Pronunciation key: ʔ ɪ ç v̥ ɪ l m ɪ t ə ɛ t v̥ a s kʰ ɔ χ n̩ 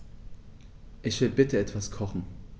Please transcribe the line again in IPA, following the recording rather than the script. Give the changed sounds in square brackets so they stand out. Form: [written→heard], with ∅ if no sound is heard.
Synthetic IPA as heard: ʔ ɪ ç v̥ ɪ l [m→b] ɪ t ə ɛ t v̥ a s kʰ ɔ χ n̩